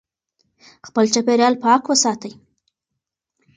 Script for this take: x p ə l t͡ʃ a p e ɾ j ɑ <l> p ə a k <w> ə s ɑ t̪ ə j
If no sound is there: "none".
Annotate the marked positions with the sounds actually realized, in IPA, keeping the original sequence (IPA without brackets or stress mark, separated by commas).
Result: l, w